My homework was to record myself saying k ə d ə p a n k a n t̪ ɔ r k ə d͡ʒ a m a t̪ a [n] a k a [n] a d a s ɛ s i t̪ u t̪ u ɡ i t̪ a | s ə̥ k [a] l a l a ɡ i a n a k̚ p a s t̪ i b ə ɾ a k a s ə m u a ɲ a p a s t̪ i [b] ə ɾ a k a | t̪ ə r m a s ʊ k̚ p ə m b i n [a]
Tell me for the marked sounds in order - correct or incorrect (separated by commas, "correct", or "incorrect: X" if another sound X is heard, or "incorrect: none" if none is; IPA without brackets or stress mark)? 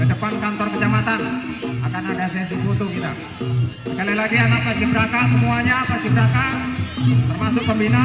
correct, correct, correct, correct, correct